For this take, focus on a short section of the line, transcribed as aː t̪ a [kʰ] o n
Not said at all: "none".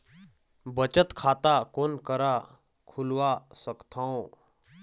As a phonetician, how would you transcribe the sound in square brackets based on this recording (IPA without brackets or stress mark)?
k